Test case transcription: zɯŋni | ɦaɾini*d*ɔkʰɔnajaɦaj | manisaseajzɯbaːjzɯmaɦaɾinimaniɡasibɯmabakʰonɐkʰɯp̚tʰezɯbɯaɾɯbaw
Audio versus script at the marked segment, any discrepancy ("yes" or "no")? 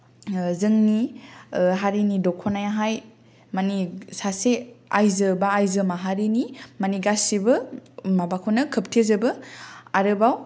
no